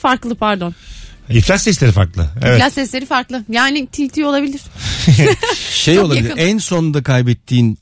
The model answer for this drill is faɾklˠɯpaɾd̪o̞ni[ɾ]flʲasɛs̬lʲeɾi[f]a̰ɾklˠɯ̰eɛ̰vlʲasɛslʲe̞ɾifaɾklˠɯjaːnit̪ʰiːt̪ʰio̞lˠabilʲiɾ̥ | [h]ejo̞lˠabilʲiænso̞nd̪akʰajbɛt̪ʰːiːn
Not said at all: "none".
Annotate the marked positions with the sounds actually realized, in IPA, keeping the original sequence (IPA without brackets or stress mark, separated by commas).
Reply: none, f, ʃ